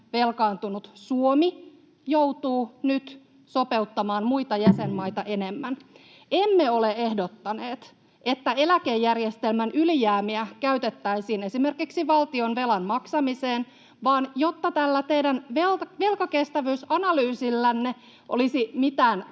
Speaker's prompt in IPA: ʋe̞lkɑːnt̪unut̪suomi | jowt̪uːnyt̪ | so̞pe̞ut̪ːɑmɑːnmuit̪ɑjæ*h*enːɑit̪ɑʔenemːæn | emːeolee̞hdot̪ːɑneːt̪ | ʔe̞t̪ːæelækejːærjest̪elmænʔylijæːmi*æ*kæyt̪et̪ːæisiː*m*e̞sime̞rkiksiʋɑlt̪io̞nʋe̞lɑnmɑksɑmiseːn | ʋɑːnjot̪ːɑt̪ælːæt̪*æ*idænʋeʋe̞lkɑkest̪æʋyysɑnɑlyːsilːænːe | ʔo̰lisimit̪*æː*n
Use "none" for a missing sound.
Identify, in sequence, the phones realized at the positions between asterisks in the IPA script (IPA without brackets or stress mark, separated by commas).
s, æ, n, e, æː